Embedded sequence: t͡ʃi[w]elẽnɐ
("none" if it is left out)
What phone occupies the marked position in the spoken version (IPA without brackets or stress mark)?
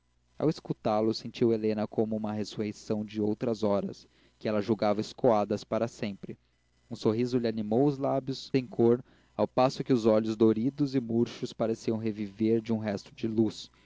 w